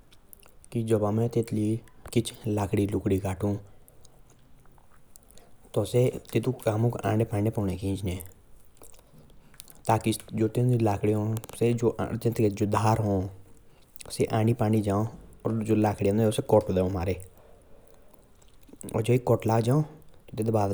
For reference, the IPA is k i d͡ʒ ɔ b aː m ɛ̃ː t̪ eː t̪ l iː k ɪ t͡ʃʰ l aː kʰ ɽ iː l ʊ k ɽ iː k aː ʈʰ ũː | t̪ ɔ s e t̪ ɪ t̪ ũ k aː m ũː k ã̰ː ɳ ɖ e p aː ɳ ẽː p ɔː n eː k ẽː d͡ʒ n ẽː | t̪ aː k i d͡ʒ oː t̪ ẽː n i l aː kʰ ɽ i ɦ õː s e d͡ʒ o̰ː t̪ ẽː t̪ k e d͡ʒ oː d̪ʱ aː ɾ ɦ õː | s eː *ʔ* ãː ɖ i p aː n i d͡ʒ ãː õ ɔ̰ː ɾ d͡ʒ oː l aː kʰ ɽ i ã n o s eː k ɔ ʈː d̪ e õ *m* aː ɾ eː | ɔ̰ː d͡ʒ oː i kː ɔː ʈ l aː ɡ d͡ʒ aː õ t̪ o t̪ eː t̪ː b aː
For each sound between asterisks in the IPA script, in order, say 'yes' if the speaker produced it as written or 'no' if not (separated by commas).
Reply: yes, yes